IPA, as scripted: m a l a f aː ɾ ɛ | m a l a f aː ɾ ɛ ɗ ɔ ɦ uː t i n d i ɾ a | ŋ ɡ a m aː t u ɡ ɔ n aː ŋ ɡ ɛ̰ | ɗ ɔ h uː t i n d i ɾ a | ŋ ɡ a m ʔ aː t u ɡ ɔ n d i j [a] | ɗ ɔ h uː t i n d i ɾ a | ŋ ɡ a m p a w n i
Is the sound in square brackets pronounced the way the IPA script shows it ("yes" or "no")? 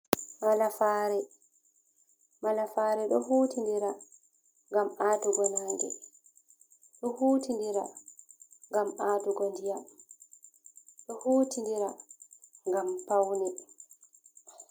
yes